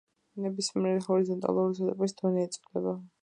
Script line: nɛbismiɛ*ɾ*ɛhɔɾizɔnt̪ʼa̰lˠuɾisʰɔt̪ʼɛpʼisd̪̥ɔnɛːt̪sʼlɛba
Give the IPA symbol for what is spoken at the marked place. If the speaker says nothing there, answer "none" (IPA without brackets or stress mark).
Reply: ɾ